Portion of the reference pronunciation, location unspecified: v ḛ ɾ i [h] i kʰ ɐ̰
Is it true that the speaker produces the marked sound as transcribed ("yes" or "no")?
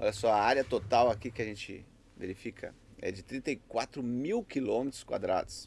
no